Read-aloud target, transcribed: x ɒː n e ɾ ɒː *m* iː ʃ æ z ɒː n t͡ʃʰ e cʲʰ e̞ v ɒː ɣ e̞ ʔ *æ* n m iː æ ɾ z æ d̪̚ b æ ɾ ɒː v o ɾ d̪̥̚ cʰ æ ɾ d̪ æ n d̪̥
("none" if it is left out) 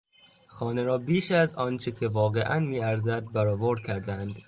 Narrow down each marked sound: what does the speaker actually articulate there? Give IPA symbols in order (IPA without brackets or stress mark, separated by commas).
b, æ